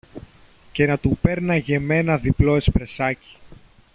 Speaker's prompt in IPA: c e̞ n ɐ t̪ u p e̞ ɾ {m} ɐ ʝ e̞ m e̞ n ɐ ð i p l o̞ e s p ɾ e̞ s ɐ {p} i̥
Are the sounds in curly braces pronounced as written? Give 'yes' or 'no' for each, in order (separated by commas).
no, no